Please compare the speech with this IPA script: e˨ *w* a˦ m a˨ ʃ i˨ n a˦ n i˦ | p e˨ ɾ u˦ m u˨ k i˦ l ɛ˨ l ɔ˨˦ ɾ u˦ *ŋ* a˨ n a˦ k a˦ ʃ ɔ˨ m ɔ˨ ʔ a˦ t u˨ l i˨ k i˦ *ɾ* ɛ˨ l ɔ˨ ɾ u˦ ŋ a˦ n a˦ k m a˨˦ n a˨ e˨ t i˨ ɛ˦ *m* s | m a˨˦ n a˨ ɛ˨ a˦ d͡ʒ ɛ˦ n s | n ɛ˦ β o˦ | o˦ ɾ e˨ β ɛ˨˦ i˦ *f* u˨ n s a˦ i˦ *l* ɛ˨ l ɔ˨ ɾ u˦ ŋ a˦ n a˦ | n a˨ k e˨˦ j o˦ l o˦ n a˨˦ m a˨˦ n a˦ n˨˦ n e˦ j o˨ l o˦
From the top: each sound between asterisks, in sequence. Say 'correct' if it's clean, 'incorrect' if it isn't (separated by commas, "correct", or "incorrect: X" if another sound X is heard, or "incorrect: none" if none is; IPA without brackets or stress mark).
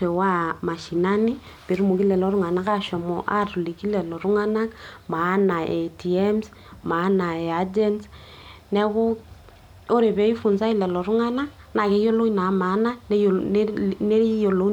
correct, correct, incorrect: l, correct, correct, correct